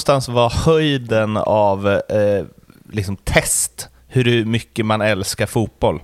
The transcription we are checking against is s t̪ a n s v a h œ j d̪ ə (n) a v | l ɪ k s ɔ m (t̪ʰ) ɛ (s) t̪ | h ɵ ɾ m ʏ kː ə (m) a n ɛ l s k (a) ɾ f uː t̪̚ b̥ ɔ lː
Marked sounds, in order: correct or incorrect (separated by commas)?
correct, correct, correct, correct, correct